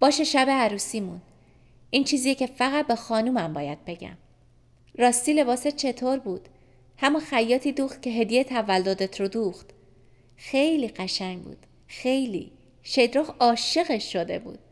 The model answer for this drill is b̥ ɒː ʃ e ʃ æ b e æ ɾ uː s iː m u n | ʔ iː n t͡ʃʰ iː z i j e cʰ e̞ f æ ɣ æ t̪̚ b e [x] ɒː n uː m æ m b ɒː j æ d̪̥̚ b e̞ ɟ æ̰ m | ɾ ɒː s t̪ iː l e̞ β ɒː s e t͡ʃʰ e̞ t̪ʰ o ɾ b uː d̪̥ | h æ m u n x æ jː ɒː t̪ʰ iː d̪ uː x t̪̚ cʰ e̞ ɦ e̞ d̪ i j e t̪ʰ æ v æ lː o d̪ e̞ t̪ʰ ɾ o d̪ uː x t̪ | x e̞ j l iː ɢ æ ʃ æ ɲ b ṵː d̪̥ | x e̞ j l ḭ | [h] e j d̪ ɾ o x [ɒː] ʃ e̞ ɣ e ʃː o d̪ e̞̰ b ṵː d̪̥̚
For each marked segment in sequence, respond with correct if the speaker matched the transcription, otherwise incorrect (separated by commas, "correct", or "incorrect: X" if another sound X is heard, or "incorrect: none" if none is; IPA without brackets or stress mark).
correct, incorrect: ʃ, correct